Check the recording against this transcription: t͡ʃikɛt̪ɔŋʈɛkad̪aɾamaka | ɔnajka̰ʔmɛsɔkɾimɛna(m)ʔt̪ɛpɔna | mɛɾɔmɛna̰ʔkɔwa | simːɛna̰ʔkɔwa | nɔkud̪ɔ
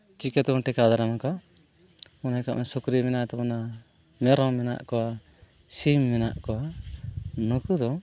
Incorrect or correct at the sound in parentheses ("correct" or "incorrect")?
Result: incorrect